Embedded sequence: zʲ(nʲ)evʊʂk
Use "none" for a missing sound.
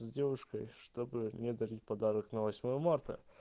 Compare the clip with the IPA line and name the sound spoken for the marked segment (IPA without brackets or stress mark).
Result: dʲ